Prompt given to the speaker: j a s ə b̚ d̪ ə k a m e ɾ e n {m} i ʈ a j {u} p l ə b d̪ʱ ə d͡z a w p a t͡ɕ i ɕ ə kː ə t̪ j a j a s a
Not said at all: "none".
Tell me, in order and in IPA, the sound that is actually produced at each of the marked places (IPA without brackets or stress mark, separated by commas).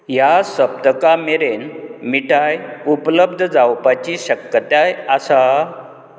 m, u